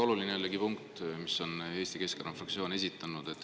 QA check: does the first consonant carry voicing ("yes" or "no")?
yes